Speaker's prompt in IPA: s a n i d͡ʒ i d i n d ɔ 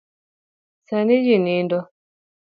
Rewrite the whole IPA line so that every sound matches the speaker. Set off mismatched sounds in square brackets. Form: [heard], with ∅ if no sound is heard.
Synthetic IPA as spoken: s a n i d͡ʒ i [n] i n d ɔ